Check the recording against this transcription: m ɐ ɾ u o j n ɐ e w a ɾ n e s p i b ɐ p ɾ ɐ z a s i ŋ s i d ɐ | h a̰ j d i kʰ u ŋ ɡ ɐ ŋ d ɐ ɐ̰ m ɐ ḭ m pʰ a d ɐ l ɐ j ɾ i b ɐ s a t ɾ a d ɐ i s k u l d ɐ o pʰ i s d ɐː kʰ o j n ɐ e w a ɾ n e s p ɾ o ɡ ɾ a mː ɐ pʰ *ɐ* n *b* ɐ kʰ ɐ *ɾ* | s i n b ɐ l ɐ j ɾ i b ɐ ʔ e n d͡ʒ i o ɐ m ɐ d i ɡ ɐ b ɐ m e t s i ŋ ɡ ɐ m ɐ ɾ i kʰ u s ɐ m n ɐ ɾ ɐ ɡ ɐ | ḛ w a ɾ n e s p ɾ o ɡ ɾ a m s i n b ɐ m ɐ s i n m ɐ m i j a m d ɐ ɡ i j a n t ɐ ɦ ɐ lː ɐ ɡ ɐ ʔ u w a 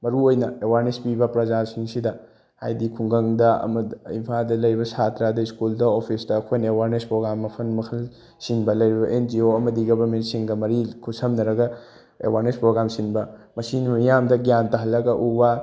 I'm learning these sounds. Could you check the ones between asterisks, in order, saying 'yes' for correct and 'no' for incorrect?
yes, no, no

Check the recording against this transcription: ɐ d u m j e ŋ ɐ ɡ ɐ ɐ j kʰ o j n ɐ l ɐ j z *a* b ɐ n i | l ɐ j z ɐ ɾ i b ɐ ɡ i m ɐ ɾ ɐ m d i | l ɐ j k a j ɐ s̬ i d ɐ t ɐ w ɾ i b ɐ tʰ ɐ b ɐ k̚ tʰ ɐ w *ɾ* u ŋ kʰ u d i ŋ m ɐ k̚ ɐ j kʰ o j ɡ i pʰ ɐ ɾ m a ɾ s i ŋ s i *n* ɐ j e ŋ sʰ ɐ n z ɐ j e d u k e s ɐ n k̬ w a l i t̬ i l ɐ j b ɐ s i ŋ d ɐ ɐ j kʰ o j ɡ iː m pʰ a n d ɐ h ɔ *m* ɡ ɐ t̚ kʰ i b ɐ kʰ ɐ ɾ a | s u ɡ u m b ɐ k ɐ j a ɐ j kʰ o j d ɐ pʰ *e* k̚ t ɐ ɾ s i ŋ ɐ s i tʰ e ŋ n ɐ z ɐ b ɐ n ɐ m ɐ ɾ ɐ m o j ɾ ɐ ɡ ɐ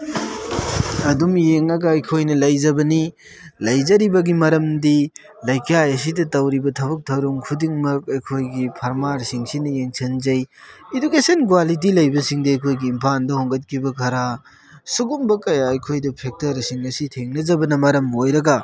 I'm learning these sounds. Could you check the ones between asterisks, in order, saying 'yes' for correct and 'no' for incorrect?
no, yes, yes, no, yes

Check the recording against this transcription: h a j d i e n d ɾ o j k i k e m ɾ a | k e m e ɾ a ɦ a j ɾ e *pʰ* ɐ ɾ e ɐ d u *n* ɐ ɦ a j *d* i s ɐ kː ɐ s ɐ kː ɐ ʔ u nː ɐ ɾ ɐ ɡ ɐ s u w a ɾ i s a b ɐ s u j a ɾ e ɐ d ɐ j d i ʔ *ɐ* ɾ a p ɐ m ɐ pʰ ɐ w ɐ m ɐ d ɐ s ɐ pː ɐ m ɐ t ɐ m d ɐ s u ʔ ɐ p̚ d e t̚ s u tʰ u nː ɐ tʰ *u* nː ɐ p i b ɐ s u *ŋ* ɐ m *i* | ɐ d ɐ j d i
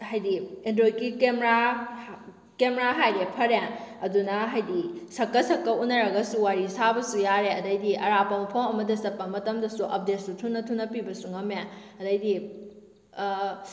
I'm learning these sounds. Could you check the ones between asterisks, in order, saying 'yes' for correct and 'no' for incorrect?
yes, yes, yes, yes, yes, yes, no

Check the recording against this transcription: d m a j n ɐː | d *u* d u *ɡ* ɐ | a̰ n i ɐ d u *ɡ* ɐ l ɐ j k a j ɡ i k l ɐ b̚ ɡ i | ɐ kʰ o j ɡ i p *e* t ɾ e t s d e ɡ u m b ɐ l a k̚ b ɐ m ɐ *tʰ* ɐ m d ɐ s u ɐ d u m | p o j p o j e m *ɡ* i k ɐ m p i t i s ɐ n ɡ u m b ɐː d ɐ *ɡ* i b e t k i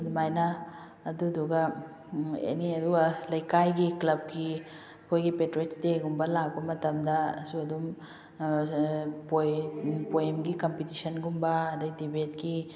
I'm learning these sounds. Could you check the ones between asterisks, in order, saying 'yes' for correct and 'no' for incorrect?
yes, yes, yes, yes, no, yes, no

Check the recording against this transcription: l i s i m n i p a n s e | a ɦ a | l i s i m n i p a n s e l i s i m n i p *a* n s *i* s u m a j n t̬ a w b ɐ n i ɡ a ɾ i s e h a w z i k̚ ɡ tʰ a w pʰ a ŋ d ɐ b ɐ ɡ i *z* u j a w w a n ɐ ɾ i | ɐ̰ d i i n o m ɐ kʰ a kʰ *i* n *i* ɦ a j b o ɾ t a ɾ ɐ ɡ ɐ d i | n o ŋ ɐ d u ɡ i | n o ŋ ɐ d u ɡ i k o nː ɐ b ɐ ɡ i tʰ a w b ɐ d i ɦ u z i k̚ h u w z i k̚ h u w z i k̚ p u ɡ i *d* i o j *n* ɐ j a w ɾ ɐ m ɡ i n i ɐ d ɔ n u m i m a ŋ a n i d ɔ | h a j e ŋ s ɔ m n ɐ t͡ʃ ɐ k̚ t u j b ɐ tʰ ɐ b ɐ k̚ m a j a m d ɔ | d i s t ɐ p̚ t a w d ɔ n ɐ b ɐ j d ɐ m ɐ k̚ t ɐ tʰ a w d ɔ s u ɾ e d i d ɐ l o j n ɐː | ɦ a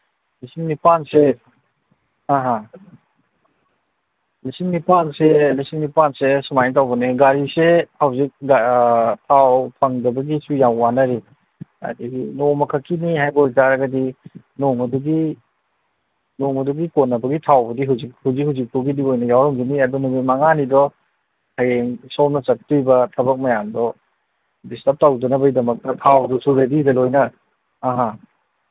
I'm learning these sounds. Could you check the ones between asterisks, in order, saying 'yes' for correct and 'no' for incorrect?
yes, no, no, yes, yes, yes, yes

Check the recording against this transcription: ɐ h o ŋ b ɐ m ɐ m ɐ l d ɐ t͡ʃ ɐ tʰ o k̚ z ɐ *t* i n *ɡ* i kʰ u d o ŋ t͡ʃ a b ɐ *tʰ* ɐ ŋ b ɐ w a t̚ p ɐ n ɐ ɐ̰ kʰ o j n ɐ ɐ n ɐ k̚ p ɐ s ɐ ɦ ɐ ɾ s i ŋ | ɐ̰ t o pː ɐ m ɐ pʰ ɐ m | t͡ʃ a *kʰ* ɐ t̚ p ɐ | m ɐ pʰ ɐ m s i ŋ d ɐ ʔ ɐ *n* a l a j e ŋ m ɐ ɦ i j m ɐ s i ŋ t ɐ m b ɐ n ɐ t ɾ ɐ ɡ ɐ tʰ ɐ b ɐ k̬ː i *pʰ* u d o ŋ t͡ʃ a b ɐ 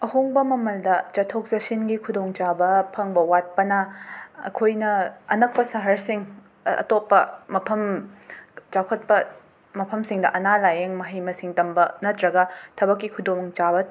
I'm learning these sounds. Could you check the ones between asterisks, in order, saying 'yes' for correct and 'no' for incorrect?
no, yes, no, yes, yes, no

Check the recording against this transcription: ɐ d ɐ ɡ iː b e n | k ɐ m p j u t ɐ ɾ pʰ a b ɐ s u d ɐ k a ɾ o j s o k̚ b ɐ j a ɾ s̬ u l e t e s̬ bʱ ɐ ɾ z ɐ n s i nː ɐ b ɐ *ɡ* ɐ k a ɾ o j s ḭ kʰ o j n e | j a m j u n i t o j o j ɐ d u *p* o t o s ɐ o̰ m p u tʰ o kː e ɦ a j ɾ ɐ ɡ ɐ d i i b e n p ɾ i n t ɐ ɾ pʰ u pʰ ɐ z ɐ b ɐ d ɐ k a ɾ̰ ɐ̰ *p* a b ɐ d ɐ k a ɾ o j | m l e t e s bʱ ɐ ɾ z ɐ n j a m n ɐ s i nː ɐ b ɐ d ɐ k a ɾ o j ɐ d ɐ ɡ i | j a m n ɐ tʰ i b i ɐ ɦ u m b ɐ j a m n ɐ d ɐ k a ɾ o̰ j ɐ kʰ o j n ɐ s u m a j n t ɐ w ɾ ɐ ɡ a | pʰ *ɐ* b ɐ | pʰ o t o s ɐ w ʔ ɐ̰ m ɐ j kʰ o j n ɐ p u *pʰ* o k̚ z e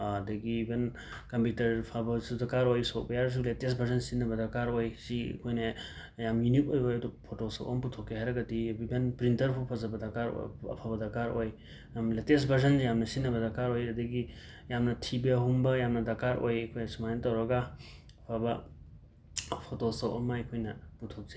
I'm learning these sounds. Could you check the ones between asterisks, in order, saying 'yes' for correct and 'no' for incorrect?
no, no, no, no, no

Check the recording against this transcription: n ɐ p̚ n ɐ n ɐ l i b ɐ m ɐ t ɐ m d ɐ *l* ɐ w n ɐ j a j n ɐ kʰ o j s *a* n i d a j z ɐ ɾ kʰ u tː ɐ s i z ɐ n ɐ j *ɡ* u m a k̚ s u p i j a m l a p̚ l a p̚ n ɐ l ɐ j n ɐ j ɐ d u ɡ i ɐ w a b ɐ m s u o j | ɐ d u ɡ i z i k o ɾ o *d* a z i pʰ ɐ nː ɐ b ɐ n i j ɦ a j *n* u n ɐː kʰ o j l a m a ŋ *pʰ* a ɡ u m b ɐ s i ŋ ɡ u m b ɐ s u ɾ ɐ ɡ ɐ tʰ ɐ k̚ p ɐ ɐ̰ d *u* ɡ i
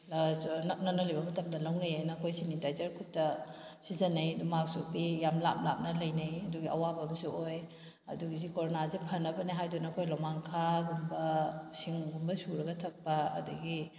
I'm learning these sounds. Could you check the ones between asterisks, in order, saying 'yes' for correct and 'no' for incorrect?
yes, no, no, no, no, no, yes

